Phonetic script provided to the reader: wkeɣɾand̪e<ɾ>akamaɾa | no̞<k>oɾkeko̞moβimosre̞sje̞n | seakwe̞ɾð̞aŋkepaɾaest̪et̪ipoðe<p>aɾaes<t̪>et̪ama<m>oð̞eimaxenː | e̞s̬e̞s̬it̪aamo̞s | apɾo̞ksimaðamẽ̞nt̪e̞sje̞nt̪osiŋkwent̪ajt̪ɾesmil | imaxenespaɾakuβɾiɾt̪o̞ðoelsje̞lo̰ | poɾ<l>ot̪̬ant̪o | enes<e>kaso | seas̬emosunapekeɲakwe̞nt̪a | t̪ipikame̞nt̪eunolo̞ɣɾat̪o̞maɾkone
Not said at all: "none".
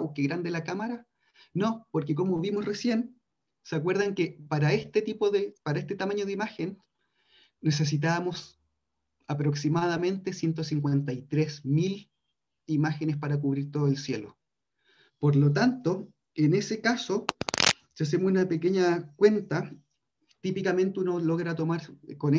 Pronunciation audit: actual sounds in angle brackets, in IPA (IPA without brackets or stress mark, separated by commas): l, p, p, t̪, ɲ, l, e